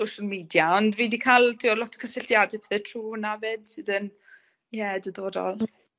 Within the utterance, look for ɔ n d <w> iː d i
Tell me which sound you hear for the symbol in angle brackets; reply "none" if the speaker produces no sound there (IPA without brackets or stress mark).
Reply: v